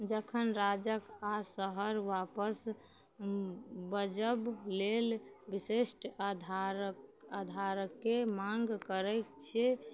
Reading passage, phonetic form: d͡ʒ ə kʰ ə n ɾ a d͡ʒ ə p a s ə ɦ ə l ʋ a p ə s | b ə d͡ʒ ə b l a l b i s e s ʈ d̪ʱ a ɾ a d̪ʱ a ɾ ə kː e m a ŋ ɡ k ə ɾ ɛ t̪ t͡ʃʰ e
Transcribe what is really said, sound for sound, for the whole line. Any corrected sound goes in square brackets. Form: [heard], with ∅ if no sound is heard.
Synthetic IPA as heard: d͡ʒ ə kʰ ə n ɾ a d͡ʒ ə [k] a s ə ɦ ə [ɾ] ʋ a p ə s | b ə d͡ʒ ə b l [e] l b i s e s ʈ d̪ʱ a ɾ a d̪ʱ a ɾ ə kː e m a ŋ ɡ k ə ɾ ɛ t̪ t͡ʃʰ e